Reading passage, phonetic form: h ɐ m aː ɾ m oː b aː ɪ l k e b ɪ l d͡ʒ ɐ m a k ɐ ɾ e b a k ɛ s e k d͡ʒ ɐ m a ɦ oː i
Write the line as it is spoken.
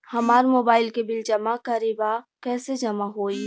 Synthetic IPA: h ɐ m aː ɾ m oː b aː ɪ l k e b ɪ l d͡ʒ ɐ m a k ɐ ɾ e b a k ɛː s e d͡ʒ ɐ m a ɦ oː i